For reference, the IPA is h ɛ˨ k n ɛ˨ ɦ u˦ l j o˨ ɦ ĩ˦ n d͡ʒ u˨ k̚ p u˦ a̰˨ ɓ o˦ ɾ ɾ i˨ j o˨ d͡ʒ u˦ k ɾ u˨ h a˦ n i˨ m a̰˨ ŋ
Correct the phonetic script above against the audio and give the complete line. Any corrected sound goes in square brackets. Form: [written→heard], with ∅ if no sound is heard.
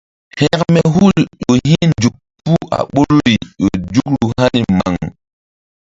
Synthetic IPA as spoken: h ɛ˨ k [n→m] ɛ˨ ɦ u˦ l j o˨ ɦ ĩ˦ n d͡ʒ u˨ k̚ p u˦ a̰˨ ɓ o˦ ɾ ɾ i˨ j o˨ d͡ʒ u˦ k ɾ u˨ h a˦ n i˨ m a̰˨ ŋ